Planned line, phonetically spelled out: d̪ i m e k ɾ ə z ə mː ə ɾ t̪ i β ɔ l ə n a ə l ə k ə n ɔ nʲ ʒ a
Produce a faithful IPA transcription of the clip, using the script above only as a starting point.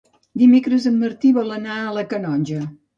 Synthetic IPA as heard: d̪ i m e k ɾ ə z ə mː ə ɾ t̪ i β ɔ l ə n a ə l ə k ə n ɔ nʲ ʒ ə